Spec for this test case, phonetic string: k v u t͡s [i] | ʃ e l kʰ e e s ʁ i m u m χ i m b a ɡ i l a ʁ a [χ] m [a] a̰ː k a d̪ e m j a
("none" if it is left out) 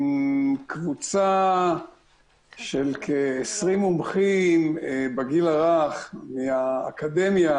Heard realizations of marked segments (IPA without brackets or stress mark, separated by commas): a, χ, i